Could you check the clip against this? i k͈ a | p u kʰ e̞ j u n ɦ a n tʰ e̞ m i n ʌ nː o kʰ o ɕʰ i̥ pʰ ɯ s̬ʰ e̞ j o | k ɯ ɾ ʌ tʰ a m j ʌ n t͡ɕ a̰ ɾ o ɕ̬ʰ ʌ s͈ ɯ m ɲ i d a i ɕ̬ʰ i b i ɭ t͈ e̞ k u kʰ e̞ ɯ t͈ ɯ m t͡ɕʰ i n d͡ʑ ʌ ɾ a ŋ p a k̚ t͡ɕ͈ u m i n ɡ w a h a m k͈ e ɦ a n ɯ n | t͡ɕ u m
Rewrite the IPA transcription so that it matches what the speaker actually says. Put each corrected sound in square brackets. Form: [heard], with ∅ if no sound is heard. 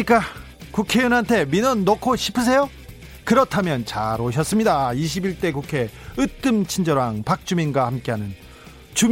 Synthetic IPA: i k͈ a | [k] u kʰ e̞ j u n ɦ a n tʰ e̞ m i n ʌ nː o kʰ o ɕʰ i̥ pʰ ɯ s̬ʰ e̞ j o | k ɯ ɾ ʌ tʰ a m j ʌ n t͡ɕ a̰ ɾ o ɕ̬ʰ ʌ s͈ ɯ m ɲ i d a i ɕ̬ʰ i b i ɭ t͈ e̞ k u kʰ e̞ ɯ t͈ ɯ m t͡ɕʰ i n d͡ʑ ʌ ɾ a ŋ p a k̚ t͡ɕ͈ u m i n ɡ w a h a m k͈ e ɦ a n ɯ n | t͡ɕ u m